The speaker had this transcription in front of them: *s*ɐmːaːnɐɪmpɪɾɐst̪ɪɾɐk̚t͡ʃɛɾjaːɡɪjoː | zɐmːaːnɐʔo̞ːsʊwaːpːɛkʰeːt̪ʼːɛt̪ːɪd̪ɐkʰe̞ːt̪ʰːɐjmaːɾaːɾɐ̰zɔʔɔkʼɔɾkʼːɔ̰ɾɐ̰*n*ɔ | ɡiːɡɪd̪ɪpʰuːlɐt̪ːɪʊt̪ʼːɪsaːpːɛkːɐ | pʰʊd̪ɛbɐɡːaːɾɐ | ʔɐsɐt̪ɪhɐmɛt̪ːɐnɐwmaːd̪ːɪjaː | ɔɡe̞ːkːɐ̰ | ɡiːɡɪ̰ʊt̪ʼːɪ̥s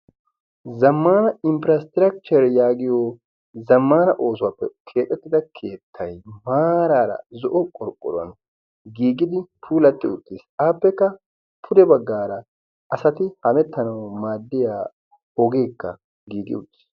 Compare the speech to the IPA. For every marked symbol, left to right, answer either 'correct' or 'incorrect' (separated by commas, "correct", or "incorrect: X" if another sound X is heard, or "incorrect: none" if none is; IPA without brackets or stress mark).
incorrect: z, correct